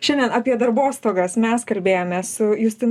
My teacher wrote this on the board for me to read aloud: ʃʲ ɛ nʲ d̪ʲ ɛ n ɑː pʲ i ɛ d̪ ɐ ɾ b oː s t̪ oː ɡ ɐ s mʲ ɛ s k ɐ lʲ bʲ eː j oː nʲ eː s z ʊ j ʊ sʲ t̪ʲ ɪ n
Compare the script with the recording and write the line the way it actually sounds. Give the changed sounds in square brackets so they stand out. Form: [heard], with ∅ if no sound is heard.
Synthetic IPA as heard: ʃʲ ɛ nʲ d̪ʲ ɛ n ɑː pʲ i ɛ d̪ ɐ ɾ b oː s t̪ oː ɡ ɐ s mʲ ɛ s k ɐ lʲ bʲ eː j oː [mʲ] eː s [s] ʊ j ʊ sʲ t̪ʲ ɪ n